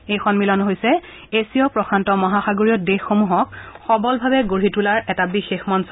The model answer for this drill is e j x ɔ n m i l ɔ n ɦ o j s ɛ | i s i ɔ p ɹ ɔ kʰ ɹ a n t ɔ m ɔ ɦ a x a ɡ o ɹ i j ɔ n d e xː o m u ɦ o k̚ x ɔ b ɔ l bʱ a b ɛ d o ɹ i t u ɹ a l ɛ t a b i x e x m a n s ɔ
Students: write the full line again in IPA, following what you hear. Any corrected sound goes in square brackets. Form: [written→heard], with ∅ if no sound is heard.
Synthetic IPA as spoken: e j x ɔ n m i l ɔ n ɦ o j s ɛ | [i→e] s i ɔ p ɹ ɔ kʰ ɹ a n t ɔ m ɔ ɦ a x a ɡ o ɹ i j ɔ [n→∅] d e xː o m u ɦ [o→ɔ] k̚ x ɔ b ɔ l bʱ a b ɛ [d→ɡ] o ɹ i t u [ɹ→l] a [l→ɹ] ɛ t a b i x e x m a n s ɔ